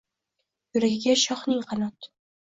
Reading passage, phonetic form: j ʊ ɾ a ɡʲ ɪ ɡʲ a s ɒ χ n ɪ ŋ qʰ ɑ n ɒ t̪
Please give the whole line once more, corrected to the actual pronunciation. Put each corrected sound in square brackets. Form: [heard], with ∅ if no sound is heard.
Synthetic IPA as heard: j ʊ ɾ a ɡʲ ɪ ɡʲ a [ʃ] ɒ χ n ɪ ŋ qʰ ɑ n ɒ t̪